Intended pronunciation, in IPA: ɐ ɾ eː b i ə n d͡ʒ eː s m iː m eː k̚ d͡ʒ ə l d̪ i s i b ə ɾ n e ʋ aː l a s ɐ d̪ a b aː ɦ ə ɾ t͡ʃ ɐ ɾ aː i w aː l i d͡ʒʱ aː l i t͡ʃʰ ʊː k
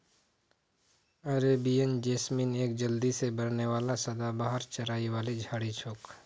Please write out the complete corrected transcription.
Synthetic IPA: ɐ ɾ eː b i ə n d͡ʒ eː s m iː n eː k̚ d͡ʒ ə l d̪ i s e b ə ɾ n e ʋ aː l a s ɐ d̪ a b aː ɦ ə ɾ t͡ʃ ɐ ɾ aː i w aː l i d͡ʒʱ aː ɽ i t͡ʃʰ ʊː k